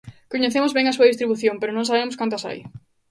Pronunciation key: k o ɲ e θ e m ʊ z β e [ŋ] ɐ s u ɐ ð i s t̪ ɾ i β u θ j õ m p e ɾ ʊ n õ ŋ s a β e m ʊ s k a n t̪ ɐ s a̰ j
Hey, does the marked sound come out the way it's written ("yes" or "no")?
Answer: yes